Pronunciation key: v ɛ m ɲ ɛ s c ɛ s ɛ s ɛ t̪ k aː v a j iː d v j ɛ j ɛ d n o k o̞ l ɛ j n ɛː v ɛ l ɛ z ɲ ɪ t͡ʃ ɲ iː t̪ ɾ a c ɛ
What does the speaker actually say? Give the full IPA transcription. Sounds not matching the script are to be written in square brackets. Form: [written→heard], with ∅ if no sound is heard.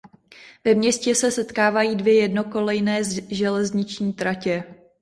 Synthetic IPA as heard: v ɛ m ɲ ɛ s c ɛ s ɛ s ɛ t̪ k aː v a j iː d v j ɛ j ɛ d n o k o̞ l ɛ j n ɛː [v→ʒ] ɛ l ɛ z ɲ ɪ t͡ʃ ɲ iː t̪ ɾ a c ɛ

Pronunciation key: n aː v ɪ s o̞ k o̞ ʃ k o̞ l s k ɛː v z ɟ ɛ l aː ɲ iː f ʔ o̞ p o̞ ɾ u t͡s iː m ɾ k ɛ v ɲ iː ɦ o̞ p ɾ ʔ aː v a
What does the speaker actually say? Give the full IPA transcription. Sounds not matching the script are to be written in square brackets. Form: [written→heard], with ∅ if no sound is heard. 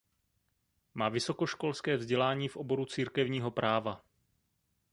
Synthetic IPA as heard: [n→m] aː v ɪ s o̞ k o̞ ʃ k o̞ l s k ɛː v z ɟ ɛ l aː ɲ iː f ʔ o̞ [p→b] o̞ ɾ u t͡s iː [m→∅] ɾ k ɛ v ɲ iː ɦ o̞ p ɾ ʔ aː v a

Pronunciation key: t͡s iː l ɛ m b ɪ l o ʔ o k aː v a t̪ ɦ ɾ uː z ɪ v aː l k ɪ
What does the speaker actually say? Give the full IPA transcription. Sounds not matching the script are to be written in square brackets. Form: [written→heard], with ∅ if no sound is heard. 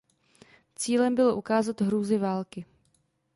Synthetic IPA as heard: t͡s iː l ɛ m b ɪ l o ʔ [o→u] k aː [v→z] a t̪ ɦ ɾ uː z ɪ v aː l k ɪ

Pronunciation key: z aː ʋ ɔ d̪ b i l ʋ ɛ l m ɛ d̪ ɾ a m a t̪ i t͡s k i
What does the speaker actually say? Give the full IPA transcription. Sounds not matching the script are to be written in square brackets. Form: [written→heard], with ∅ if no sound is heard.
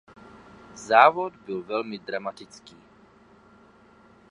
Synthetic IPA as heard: z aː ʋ ɔ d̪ b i l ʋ ɛ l m [ɛ→i] d̪ ɾ a m a t̪ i t͡s k [i→iː]

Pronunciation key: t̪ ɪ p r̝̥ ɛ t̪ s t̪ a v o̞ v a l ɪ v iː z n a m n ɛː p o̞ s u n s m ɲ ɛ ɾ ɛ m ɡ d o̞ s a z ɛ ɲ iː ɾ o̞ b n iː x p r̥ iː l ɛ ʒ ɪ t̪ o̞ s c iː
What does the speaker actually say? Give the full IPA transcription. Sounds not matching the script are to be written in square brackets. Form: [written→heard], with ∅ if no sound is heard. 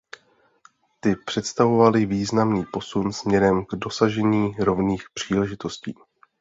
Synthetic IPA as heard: t̪ ɪ p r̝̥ ɛ t̪ s t̪ a v o̞ v a l ɪ v iː z n a m n [ɛː→iː] p o̞ s u n s m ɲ ɛ ɾ ɛ m ɡ d o̞ s a [z→ʒ] ɛ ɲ iː ɾ o̞ [b→v] n iː x p r̥ iː l ɛ ʒ ɪ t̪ o̞ s c iː

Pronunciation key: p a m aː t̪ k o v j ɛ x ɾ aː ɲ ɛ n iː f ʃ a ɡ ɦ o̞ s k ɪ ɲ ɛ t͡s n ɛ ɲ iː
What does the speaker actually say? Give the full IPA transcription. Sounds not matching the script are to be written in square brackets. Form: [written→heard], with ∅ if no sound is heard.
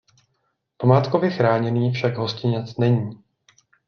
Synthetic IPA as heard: p a m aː t̪ k o v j ɛ x ɾ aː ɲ ɛ n iː f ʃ a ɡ ɦ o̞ s [k→c] ɪ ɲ ɛ t͡s n ɛ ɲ iː

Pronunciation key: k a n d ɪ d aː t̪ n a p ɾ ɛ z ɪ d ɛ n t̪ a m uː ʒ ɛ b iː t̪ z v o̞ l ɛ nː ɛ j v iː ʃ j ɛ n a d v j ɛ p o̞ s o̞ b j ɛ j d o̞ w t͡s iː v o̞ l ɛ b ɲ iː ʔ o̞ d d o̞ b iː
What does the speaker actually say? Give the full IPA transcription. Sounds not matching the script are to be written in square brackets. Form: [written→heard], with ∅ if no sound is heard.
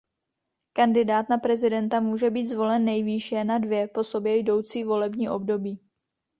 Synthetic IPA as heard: k a n d ɪ d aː t̪ n a p ɾ ɛ z ɪ d ɛ n t̪ a m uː ʒ ɛ b iː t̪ z v o̞ l ɛ nː ɛ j v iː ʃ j ɛ n a d v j ɛ p o̞ s o̞ b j ɛ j d o̞ w t͡s iː v o̞ l ɛ b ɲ iː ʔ o̞ [d→b] d o̞ b iː

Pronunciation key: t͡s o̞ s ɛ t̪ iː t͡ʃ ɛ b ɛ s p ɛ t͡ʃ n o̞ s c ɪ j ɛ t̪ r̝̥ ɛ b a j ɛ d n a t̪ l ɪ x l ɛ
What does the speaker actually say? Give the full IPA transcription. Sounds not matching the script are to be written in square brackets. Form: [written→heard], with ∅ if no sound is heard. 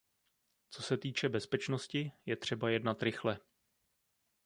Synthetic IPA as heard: t͡s o̞ s ɛ t̪ iː t͡ʃ ɛ b ɛ s p ɛ t͡ʃ n o̞ s c ɪ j ɛ t̪ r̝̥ ɛ b a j ɛ d n a t̪ [l→ɾ] ɪ x l ɛ

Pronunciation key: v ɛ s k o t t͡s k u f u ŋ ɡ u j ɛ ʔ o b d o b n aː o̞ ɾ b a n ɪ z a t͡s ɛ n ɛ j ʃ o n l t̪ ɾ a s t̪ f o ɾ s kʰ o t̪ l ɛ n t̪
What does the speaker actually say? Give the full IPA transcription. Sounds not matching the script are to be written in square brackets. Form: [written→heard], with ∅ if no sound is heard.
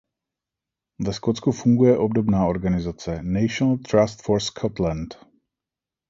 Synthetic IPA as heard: v ɛ s k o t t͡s k u f u ŋ ɡ u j ɛ ʔ o b d o b n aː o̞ ɾ [b→ɡ] a n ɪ z a t͡s ɛ n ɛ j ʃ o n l t̪ ɾ a s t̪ f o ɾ s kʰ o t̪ l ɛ n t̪

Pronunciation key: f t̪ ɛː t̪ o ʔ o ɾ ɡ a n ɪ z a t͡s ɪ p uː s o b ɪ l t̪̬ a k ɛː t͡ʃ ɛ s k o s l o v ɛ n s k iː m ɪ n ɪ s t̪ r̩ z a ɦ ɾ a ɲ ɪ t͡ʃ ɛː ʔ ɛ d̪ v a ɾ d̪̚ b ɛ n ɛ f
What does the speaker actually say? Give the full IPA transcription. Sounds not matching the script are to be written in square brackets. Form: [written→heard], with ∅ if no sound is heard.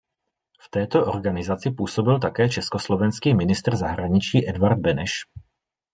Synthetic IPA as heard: f t̪ ɛː t̪ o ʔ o ɾ ɡ a n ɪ z a t͡s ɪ p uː s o b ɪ l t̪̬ a k ɛː t͡ʃ ɛ s k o s l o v ɛ n s k iː m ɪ n ɪ s t̪ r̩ z a ɦ ɾ a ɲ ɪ t͡ʃ [ɛː→iː] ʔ ɛ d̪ v a ɾ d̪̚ b ɛ n ɛ [f→ʃ]

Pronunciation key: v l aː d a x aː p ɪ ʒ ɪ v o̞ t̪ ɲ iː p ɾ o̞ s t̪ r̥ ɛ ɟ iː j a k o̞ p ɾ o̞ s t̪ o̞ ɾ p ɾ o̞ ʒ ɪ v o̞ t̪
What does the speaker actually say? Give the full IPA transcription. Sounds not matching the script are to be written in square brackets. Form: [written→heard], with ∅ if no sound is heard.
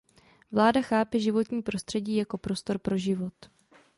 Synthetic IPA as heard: v l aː d a x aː p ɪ ʒ ɪ v o̞ t̪ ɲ iː p ɾ o̞ s t̪ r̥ ɛ ɟ iː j a k o̞ p ɾ o̞ s t̪ o̞ ɾ p ɾ o̞ ʒ ɪ v o̞ t̪

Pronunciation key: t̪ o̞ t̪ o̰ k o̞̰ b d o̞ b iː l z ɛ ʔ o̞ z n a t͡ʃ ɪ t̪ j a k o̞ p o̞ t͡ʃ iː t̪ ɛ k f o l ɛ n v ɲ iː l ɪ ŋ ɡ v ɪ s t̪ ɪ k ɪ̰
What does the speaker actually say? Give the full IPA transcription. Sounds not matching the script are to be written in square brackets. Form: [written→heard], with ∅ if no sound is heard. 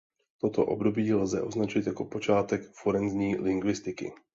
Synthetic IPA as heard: t̪ o̞ t̪ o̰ [k→ʔ] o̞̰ b d o̞ b iː l z ɛ ʔ o̞ z n a t͡ʃ ɪ t̪ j a k o̞ p o̞ t͡ʃ [iː→aː] t̪ ɛ k f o [l→ɾ] ɛ n [v→z] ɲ iː l ɪ ŋ ɡ v ɪ s t̪ ɪ k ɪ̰

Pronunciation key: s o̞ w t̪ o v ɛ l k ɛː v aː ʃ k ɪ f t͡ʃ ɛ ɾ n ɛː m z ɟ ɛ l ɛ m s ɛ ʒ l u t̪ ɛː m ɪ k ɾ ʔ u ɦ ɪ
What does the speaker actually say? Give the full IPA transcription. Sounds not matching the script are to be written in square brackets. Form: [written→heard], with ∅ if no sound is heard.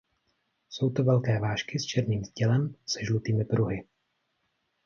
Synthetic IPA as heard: s o̞ w t̪ o v ɛ l k ɛː v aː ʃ k ɪ [f→s] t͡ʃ ɛ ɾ n [ɛː→iː] m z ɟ ɛ l ɛ m s ɛ ʒ l u t̪ [ɛː→iː] m ɪ [k→p] ɾ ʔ u ɦ ɪ

